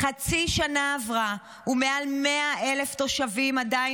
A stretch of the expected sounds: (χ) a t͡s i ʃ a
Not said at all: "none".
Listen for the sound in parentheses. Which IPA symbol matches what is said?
χ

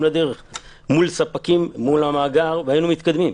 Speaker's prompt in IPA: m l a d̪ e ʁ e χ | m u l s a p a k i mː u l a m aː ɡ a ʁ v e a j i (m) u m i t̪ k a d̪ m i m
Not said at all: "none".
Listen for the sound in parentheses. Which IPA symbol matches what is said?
n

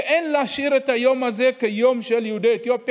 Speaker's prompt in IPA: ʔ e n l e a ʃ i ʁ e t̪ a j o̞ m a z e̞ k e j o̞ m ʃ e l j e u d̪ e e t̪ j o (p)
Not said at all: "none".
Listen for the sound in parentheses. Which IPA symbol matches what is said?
p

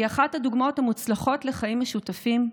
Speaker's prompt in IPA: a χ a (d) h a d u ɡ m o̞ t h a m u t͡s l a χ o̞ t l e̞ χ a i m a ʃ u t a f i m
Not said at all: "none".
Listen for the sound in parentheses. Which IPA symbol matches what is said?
t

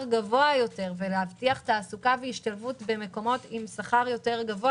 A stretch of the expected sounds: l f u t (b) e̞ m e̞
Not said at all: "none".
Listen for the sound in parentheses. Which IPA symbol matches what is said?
b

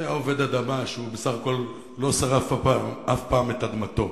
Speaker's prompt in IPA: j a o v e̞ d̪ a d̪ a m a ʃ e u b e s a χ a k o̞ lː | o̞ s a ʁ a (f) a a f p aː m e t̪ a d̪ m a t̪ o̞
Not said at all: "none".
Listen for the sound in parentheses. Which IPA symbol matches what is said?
f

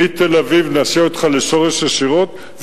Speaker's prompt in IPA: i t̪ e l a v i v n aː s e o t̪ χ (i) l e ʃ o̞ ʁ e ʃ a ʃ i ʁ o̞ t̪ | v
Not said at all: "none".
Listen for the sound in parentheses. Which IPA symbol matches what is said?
a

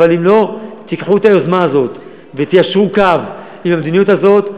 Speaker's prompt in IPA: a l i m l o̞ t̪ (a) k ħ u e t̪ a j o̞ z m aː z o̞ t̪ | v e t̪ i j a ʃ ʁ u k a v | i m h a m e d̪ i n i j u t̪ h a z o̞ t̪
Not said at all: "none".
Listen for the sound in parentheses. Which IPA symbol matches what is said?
i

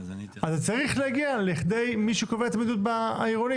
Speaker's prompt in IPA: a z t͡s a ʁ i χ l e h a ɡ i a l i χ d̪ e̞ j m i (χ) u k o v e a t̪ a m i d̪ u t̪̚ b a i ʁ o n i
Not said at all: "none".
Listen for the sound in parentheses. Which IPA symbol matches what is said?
ʃ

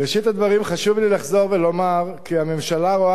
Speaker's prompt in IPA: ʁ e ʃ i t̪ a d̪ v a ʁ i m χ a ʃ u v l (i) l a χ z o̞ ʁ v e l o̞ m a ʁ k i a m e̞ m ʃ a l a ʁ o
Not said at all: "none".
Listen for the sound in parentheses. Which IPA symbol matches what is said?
i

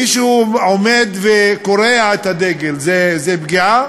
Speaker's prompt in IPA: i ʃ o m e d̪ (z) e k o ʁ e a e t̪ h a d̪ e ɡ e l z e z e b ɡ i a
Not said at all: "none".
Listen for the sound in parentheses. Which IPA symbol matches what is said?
v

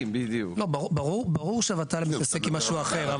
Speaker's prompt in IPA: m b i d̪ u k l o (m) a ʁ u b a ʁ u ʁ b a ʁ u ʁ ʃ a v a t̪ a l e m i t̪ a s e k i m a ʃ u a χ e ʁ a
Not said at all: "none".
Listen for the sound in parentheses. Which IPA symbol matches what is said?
b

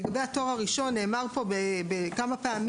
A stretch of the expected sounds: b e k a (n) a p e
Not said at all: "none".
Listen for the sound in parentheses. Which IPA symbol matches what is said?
m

